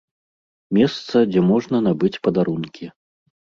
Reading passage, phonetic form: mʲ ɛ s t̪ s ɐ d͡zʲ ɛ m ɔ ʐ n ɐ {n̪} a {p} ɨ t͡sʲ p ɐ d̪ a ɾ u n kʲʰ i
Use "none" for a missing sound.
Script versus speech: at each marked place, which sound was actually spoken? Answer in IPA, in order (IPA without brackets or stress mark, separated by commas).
n̪, b